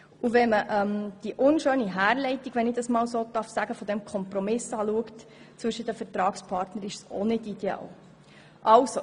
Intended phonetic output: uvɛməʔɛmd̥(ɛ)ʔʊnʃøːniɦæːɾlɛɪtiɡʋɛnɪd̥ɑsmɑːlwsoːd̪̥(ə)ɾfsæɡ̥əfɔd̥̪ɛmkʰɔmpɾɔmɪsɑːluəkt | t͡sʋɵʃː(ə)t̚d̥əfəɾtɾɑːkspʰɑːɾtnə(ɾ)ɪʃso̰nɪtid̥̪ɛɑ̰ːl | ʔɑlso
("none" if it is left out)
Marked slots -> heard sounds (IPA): i, ɑ, ə, ɾ

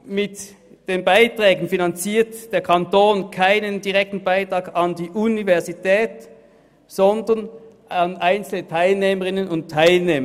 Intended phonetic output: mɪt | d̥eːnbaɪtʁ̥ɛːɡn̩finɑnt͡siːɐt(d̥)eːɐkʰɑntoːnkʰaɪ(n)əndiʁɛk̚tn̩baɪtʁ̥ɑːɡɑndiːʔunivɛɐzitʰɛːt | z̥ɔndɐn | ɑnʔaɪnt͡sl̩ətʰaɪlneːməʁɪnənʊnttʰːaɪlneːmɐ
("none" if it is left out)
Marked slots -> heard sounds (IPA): d̥, n

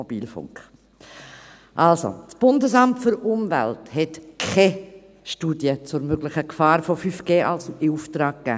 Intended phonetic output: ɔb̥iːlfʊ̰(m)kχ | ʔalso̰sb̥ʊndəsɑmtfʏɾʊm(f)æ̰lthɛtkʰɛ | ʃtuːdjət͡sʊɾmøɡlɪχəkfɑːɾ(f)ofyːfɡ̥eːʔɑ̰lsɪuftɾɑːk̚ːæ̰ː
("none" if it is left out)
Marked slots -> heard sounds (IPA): ŋ, v, f

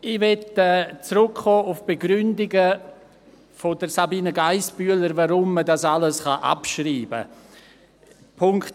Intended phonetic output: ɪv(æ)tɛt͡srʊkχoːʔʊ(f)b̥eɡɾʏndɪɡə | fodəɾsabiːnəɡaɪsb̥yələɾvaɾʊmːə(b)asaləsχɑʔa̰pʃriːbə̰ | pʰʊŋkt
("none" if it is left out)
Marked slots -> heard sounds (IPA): ɛ, f, d

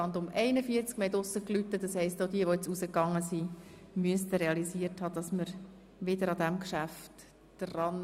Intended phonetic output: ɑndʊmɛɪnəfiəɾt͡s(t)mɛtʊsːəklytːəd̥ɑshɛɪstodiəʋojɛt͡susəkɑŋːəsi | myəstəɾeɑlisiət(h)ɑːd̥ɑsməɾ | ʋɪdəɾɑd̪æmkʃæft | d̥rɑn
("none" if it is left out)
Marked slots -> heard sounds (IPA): k, h

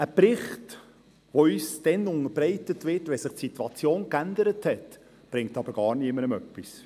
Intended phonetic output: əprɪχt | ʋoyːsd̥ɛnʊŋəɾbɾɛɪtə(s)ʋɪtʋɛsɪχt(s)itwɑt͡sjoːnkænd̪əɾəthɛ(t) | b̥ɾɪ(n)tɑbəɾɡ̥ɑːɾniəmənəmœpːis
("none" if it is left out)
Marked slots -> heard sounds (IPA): t, s, t, ŋ

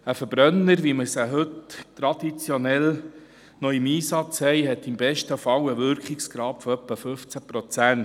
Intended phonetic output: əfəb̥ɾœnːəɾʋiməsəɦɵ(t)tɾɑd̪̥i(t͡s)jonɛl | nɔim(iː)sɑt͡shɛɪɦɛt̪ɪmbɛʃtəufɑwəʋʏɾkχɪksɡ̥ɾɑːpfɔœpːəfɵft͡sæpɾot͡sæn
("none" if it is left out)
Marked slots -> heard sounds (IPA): t, t͡s, iː

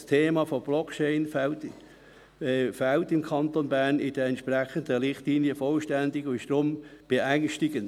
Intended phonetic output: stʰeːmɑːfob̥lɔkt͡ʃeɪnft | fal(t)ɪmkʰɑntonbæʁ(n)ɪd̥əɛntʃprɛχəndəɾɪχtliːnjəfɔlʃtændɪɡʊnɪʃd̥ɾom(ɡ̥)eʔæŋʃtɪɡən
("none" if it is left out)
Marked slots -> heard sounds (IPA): t, n, b̥

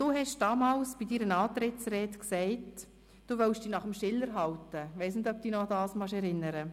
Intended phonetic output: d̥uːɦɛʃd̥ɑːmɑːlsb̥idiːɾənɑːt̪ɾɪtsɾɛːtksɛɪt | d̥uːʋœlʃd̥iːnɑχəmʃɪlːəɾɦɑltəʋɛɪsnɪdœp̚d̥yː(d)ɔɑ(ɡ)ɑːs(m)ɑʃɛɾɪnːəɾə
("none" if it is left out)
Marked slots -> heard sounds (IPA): n, d, m

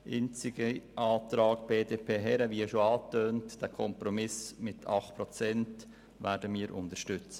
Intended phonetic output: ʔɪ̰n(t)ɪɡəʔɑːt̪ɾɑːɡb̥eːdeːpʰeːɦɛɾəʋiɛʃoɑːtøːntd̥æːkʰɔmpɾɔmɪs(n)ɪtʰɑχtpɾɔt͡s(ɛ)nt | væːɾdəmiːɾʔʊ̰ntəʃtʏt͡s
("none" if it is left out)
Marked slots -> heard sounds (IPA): t͡s, m, ɛ

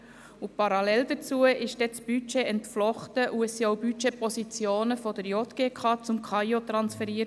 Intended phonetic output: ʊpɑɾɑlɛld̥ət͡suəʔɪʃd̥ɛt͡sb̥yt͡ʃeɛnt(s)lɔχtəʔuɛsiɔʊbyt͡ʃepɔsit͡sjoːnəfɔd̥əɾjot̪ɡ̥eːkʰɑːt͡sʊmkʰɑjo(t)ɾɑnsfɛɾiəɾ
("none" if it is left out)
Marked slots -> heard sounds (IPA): f, t

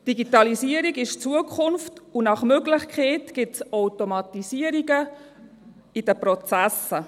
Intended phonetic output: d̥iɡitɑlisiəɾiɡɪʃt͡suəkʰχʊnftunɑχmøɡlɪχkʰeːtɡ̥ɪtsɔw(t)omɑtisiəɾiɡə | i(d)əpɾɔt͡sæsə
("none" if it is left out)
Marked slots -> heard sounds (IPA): t, d

